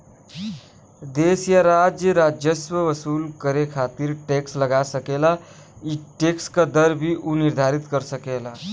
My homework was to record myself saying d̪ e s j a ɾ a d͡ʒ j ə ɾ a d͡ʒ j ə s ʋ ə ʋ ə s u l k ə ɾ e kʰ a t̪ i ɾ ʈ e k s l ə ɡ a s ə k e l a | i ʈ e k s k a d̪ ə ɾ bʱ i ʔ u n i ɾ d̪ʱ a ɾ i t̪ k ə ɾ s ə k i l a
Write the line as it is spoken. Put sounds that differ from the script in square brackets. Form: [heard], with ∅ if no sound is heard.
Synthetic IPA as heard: d̪ e s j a ɾ a d͡ʒ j ə ɾ a d͡ʒ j ə s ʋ ə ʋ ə s u l k ə ɾ e kʰ a t̪ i ɾ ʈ e k s l ə ɡ a s ə k e l a | i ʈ e k s k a d̪ ə ɾ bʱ i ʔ u n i ɾ d̪ʱ a ɾ i t̪ k ə ɾ s ə k [e] l a